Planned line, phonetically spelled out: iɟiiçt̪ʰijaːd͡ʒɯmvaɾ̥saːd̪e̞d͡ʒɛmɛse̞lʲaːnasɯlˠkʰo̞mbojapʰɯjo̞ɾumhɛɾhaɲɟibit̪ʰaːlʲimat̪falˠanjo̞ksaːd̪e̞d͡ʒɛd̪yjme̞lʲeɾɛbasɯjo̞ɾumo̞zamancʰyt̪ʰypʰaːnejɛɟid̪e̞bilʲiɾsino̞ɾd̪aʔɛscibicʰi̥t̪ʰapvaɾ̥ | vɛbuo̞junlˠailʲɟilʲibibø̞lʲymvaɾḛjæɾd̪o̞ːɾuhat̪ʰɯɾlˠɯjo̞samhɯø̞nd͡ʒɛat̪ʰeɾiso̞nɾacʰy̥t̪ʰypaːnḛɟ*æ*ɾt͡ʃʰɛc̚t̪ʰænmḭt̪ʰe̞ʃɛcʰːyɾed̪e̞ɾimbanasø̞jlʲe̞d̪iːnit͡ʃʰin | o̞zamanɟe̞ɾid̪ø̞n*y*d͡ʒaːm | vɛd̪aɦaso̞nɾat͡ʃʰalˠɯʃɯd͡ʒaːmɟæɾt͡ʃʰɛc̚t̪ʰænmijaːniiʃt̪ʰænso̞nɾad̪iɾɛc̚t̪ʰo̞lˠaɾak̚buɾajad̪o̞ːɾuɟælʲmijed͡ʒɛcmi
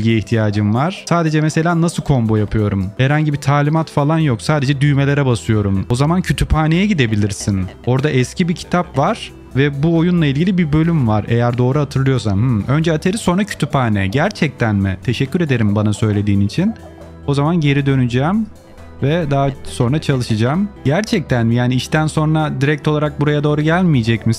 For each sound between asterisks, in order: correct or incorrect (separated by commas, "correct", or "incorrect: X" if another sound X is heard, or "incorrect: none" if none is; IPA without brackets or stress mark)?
correct, correct